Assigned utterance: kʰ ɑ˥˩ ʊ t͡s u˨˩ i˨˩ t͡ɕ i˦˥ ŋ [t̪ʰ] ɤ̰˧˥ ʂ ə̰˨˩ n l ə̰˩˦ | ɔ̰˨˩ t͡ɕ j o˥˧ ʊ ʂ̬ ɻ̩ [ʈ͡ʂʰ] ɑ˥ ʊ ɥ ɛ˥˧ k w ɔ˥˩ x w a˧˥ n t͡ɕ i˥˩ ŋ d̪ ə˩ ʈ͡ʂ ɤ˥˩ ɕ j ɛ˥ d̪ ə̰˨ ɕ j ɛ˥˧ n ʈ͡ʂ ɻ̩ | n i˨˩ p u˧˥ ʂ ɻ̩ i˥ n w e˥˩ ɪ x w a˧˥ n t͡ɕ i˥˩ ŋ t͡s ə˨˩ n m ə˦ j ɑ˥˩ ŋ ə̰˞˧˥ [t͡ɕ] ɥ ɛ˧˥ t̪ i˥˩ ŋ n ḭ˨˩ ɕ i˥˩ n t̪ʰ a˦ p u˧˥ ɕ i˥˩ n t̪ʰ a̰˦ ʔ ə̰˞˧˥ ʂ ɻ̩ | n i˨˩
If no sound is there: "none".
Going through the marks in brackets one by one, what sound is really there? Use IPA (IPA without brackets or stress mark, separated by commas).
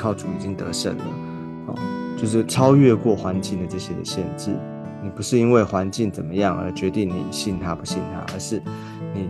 t̪, ʈ͡ʂʰ, t͡ɕ